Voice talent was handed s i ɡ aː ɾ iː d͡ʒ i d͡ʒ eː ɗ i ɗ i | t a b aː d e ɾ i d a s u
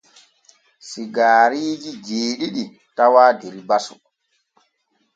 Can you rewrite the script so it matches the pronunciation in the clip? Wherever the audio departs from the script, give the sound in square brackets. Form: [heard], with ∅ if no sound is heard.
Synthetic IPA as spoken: s i ɡ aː ɾ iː d͡ʒ i d͡ʒ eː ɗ i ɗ i | t a [w] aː d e ɾ i [b] a s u